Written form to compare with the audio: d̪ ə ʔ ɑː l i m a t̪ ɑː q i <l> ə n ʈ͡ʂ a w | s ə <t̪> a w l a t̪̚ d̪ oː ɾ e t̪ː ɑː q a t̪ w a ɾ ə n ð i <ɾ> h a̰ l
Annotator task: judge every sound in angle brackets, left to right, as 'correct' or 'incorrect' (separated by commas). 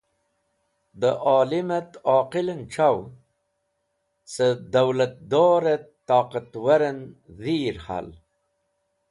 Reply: correct, incorrect, correct